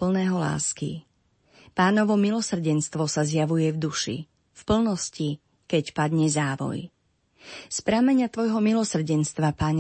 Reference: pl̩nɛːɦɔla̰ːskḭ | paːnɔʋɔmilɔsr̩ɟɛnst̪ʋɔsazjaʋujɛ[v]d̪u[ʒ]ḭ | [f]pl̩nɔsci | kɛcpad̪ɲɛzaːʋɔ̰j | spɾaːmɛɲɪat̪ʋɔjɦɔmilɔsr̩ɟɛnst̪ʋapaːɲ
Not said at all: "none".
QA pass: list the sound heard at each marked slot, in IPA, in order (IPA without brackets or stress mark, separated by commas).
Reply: v, ʃ, f